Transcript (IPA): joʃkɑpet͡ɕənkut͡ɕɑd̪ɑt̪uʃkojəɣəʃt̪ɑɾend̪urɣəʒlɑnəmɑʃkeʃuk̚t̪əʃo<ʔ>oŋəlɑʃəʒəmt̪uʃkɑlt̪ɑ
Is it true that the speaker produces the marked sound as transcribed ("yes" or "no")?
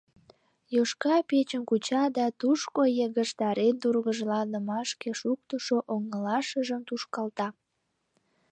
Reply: yes